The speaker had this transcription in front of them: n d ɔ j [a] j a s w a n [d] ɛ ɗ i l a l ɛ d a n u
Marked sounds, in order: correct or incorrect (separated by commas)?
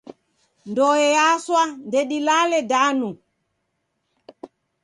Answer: incorrect, correct